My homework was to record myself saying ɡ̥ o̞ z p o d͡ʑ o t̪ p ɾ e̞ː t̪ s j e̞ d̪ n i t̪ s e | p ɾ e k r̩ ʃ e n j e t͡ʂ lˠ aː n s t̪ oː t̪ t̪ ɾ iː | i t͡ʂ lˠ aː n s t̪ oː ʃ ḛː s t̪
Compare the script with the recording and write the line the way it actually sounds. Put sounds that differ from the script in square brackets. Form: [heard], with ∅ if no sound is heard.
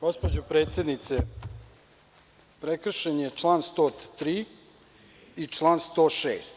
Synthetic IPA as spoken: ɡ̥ o̞ [s] p o d͡ʑ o [∅] p ɾ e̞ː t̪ s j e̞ d̪ n i t̪ s e | p ɾ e k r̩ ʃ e n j e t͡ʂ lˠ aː n s t̪ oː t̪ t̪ ɾ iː | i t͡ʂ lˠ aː n s t̪ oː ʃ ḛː s t̪